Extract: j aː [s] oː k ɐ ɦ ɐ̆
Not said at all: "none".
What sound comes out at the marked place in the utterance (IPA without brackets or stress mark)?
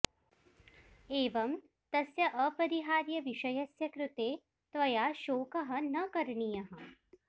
ʃ